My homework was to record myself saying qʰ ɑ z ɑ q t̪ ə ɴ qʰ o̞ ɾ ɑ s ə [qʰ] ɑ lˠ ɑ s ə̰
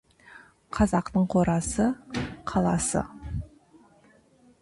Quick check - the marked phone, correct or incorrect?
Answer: correct